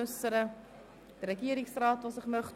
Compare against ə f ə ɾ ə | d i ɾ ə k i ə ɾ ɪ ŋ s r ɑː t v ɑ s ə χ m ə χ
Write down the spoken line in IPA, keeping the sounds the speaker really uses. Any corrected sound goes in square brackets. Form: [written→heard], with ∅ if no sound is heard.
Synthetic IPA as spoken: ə [f→s] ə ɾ ə | d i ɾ ə k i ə ɾ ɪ ŋ s r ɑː t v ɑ s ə χ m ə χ